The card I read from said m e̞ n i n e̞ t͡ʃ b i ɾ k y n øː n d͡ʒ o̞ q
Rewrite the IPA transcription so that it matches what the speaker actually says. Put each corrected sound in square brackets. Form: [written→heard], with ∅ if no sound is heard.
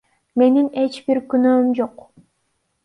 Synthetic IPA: m e̞ n i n e̞ t͡ʃ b i ɾ k y n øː [n→m] d͡ʒ o̞ q